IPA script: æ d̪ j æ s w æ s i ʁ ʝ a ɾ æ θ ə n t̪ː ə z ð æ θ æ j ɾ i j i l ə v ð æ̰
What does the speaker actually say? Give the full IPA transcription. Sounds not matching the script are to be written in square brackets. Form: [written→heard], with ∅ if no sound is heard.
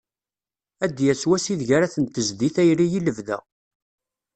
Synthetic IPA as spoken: æ d̪ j æ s w æ s i [ʁ→ð] ʝ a ɾ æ θ ə n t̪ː ə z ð [æ→i] θ æ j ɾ i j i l ə v ð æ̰